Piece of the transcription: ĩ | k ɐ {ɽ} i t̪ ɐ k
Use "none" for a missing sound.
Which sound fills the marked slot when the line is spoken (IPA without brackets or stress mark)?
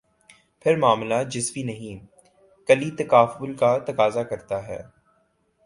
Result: l